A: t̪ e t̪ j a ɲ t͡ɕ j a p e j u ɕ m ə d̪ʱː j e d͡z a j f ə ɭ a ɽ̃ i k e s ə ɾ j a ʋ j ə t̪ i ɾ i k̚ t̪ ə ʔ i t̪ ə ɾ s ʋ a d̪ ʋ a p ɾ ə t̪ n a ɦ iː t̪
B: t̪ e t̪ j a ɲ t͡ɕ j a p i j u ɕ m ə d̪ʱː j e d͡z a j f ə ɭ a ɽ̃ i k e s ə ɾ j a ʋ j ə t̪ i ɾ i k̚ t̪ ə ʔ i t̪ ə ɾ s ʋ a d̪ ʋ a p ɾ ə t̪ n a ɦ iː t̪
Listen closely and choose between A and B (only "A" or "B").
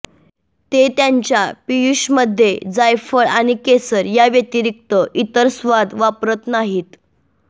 B